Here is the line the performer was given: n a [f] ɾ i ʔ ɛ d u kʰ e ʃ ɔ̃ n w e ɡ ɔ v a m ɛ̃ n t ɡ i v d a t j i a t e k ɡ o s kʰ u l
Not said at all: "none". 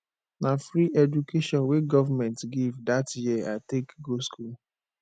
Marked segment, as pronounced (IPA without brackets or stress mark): f